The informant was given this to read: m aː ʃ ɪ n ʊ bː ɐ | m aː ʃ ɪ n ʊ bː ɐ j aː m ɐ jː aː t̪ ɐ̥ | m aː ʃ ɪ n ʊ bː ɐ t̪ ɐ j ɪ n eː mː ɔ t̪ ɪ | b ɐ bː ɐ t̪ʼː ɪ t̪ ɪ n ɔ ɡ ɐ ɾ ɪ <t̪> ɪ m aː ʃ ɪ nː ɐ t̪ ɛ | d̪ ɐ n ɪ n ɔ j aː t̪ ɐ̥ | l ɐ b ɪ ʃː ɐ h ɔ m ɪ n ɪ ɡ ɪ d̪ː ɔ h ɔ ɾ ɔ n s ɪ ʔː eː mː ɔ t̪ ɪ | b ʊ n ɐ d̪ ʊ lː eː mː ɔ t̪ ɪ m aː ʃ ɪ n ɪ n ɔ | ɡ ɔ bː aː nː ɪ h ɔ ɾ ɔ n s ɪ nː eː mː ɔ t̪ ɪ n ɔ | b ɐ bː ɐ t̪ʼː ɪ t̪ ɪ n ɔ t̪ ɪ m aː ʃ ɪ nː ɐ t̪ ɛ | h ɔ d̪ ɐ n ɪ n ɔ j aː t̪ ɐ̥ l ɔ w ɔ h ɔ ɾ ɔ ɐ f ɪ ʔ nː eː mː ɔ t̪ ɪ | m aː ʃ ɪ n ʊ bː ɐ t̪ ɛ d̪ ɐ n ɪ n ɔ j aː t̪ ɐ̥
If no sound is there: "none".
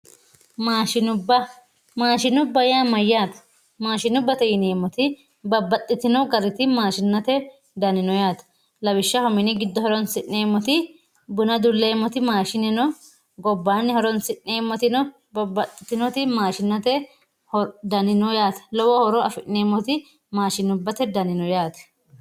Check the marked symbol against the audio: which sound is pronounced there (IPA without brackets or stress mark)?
t̪